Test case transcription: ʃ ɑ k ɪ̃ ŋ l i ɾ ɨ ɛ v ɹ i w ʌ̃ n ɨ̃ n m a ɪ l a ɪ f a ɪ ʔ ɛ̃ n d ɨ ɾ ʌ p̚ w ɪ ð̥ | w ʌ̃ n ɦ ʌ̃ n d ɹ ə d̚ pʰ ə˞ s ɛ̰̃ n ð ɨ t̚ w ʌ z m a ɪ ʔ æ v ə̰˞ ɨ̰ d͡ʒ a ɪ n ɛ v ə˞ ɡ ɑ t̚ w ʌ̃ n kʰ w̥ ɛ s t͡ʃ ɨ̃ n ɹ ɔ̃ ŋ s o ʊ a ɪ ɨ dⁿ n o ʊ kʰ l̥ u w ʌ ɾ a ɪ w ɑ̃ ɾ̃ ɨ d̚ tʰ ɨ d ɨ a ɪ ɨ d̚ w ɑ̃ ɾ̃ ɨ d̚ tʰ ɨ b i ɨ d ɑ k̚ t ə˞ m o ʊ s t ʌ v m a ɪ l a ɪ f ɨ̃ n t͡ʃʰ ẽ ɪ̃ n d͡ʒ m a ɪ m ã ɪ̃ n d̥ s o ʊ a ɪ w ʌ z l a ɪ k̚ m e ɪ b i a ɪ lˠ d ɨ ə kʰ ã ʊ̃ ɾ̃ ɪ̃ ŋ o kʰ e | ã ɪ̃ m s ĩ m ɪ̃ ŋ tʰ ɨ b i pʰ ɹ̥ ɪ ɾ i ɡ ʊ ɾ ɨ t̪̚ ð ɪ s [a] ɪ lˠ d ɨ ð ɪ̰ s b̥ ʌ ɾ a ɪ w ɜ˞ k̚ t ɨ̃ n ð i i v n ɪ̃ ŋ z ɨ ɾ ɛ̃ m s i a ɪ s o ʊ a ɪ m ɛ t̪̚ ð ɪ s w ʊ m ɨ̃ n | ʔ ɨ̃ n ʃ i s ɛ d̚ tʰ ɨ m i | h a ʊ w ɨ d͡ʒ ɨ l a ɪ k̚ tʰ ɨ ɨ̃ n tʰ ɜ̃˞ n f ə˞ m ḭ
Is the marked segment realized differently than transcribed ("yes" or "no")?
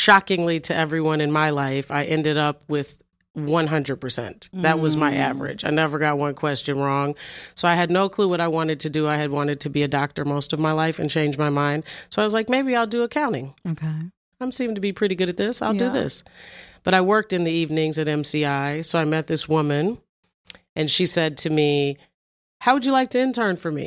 no